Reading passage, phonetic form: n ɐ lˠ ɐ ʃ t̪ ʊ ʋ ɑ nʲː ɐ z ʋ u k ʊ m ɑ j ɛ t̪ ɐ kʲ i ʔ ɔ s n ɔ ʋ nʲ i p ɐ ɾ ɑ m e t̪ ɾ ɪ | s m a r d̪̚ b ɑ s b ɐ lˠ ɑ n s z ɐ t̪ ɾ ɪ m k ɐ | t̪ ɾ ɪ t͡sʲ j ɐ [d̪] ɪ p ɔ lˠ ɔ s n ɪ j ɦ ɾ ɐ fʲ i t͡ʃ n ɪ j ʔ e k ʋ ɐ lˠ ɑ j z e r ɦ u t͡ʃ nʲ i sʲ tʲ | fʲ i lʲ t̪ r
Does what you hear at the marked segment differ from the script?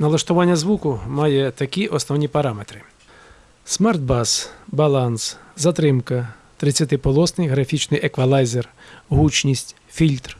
yes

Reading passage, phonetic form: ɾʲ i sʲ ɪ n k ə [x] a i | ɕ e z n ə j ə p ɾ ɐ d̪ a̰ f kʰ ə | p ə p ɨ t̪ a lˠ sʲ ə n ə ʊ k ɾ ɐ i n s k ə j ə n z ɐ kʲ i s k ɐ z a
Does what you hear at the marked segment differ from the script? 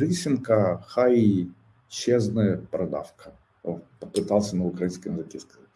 no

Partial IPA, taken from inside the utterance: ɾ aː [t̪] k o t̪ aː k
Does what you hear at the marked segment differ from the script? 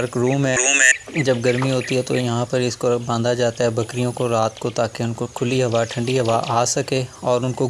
no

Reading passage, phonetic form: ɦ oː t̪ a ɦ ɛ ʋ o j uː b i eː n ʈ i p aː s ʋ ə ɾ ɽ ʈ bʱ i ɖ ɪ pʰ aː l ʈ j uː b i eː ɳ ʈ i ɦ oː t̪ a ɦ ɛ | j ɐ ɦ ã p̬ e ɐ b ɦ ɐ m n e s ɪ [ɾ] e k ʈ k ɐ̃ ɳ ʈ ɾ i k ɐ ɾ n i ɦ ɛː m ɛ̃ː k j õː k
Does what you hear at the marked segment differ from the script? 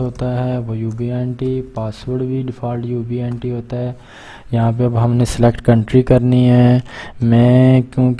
yes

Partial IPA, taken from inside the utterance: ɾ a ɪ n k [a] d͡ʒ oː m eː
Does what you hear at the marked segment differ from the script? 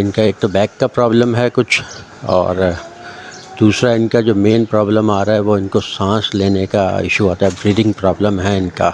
no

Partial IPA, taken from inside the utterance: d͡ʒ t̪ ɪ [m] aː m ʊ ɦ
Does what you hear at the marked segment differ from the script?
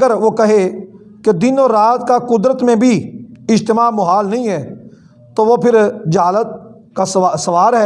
no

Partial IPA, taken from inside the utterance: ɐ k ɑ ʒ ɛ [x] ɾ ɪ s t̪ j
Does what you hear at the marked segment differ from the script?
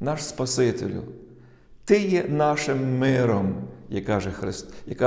no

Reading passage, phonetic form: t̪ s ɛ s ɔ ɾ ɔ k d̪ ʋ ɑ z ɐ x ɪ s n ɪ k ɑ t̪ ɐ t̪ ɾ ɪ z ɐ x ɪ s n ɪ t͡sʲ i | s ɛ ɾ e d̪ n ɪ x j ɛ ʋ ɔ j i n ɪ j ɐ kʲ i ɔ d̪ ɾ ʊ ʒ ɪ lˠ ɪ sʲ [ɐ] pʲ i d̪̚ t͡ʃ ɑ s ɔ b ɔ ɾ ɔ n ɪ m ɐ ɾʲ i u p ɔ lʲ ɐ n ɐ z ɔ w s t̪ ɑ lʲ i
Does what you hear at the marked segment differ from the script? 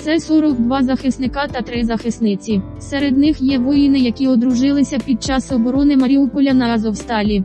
no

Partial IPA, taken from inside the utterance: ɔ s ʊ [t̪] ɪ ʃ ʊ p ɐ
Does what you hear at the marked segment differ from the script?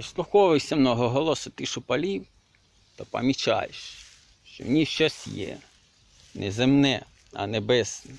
no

